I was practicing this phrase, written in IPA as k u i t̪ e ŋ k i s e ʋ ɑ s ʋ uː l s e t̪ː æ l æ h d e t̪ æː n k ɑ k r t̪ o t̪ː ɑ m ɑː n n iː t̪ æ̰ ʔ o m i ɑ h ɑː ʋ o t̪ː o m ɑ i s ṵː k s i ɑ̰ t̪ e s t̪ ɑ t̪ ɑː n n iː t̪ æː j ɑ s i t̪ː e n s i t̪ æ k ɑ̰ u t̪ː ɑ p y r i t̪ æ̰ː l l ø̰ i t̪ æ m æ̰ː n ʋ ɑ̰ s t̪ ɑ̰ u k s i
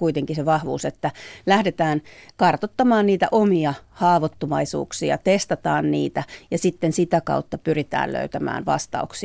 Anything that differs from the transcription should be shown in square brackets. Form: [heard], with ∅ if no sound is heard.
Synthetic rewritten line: k u i t̪ e ŋ k i s e ʋ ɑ [h] ʋ uː [∅] s e t̪ː æ l æ h d e t̪ æː n k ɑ [∅] r t̪ o t̪ː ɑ m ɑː n n iː t̪ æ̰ ʔ o m i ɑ h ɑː ʋ o t̪ː o m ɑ i s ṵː k s i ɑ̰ t̪ e s t̪ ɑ t̪ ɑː n n iː t̪ [æ] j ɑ s i t̪ː e n s i t̪ æ k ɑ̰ u t̪ː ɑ p y r i t̪ æ̰ː l l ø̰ [y] t̪ æ m æ̰ː n ʋ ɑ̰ s t̪ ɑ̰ u k s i